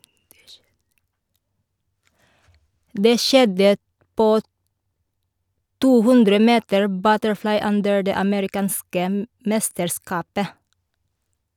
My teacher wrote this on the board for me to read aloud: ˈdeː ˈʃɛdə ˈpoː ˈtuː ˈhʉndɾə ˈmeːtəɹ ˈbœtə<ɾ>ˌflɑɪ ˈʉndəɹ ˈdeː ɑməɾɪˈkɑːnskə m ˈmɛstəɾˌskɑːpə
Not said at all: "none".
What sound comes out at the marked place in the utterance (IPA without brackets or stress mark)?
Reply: ɹ